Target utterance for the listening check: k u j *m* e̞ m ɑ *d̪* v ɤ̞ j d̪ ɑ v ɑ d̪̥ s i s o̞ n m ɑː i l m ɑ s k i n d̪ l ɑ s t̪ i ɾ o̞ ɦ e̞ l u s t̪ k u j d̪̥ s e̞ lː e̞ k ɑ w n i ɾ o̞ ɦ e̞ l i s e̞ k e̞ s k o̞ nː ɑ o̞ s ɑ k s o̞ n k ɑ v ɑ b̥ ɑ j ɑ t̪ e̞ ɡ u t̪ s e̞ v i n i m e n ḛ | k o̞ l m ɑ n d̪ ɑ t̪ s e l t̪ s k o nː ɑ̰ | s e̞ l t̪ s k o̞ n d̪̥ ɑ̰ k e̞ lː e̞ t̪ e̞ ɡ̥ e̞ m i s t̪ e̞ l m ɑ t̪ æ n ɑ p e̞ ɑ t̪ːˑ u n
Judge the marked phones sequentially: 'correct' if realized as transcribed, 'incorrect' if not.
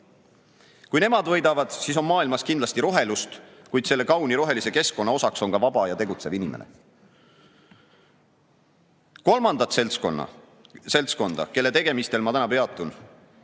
incorrect: n, correct

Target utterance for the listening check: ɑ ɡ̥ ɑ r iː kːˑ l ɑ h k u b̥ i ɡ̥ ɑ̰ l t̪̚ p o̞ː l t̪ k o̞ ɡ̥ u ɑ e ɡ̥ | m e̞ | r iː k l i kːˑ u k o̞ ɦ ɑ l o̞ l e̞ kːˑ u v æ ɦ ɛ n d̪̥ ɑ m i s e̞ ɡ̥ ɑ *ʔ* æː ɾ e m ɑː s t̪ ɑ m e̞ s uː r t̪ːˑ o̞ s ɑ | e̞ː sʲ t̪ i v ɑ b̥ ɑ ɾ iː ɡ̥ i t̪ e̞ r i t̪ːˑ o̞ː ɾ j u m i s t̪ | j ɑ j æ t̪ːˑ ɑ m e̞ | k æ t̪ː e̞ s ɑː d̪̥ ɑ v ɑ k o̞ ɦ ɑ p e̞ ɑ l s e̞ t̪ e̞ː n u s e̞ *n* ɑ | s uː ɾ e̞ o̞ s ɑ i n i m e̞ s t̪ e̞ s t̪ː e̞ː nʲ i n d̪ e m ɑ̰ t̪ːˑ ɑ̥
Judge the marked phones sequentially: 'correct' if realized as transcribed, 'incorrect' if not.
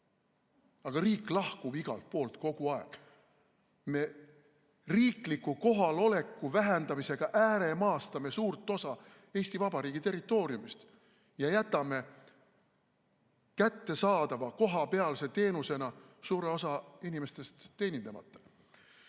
correct, correct

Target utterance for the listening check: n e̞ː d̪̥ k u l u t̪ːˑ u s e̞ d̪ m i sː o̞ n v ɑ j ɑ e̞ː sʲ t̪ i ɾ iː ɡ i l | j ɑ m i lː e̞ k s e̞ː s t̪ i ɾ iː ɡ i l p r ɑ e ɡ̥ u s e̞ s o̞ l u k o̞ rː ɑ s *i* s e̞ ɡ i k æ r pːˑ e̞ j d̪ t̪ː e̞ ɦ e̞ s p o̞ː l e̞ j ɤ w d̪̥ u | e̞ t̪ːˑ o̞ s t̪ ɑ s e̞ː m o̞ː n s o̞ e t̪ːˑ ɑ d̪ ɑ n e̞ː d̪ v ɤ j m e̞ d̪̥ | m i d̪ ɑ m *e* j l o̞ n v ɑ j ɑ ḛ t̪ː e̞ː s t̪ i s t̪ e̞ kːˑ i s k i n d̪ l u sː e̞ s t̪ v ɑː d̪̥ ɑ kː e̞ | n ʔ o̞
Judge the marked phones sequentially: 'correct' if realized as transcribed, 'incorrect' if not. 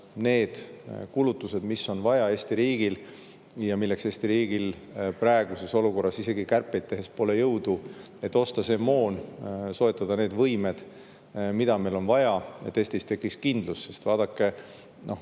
correct, correct

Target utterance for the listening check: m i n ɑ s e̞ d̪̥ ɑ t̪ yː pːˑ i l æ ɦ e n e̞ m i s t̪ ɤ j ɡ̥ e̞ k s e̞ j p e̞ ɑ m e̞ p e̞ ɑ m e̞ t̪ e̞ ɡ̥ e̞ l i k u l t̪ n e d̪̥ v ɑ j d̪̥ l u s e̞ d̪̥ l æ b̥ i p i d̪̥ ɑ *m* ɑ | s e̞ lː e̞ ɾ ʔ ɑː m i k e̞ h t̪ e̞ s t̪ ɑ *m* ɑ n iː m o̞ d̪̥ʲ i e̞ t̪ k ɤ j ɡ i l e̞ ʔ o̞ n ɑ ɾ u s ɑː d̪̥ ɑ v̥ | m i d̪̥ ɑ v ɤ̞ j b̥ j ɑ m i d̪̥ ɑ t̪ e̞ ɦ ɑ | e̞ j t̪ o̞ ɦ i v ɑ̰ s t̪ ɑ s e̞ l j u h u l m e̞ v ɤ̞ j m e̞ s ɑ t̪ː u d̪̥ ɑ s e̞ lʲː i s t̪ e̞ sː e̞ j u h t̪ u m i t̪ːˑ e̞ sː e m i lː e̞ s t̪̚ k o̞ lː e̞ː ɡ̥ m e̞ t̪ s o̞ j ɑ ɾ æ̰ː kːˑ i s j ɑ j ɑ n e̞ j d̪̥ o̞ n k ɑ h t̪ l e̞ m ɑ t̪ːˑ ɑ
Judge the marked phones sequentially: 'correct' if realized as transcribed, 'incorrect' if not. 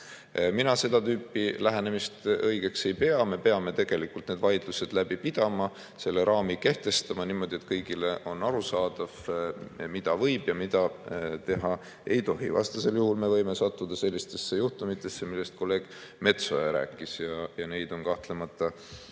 correct, correct

